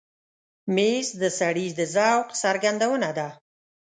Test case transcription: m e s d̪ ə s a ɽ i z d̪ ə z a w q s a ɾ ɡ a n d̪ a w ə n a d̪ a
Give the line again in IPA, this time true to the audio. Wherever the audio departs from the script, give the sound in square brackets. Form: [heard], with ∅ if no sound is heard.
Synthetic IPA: m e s d̪ ə s a ɽ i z d̪ ə z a w q s a ɾ ɡ a n d̪ a w ə n a d̪ a